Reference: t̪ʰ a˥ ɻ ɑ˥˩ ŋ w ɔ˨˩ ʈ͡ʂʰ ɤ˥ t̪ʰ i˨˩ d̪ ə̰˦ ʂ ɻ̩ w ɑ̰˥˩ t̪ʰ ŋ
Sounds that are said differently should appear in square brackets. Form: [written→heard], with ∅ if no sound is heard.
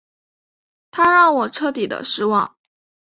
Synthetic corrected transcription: t̪ʰ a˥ ɻ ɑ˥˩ ŋ w ɔ˨˩ ʈ͡ʂʰ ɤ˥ [t̪ʰ→t̪] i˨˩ d̪ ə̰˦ ʂ ɻ̩ w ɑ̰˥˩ [t̪ʰ→∅] ŋ